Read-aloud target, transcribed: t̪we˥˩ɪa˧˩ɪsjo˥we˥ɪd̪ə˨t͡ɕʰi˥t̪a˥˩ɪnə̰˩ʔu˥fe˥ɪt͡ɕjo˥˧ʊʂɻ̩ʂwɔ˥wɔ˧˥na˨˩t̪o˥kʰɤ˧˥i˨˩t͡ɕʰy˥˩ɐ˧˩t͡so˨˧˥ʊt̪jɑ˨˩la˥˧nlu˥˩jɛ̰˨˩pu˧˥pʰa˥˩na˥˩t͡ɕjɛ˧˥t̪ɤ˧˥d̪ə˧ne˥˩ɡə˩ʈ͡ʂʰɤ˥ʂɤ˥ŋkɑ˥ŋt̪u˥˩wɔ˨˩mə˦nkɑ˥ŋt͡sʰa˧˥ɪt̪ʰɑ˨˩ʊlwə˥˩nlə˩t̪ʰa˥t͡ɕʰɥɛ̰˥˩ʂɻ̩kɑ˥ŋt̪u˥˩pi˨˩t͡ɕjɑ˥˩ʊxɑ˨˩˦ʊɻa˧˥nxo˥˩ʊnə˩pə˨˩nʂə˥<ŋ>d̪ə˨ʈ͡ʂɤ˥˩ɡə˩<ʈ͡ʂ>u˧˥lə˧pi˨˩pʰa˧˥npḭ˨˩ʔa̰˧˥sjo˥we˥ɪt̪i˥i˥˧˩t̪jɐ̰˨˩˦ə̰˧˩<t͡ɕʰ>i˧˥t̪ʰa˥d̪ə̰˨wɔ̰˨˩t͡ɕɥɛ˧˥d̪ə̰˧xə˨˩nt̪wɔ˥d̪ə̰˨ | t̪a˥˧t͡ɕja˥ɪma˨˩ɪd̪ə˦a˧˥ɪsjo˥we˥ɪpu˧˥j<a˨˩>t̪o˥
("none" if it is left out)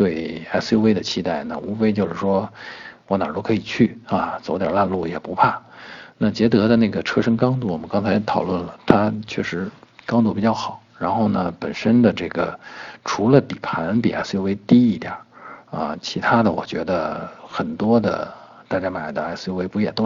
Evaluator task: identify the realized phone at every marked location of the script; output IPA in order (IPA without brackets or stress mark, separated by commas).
n, ʈ͡ʂʰ, t͡ɕʰ, ɛ˨˩